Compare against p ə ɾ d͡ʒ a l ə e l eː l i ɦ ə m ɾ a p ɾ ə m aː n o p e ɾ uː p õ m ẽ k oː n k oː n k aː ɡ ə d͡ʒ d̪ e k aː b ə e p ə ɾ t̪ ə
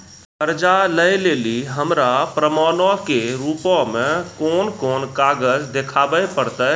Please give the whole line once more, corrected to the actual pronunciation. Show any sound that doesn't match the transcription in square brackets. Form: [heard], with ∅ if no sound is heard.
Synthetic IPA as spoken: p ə ɾ d͡ʒ a l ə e l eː l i ɦ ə m ɾ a p ɾ ə m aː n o [k] e ɾ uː p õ m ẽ k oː n k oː n k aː ɡ ə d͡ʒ d̪ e [kʰ] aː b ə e p ə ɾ t̪ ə